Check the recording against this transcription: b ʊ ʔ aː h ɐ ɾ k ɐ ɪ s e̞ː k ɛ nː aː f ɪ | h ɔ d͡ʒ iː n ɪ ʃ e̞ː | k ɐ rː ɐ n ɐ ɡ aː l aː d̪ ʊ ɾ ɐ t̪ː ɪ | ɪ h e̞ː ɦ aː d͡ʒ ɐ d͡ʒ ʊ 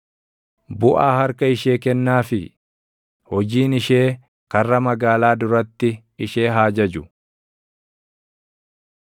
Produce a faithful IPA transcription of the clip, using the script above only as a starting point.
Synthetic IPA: b ʊ ʔ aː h ɐ ɾ k ɐ ɪ ʃ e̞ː k ɛ nː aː f ɪ | h ɔ d͡ʒ iː n ɪ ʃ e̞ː | k ɐ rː ɐ m ɐ ɡ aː l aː d̪ ʊ ɾ ɐ t̪ː ɪ | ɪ ʃ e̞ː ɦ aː d͡ʒ ɐ d͡ʒ ʊ